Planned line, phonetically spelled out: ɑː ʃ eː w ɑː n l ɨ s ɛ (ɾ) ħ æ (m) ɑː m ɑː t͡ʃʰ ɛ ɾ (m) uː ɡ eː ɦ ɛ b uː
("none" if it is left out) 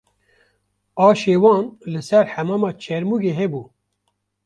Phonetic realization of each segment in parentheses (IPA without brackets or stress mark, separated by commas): ɾ, m, m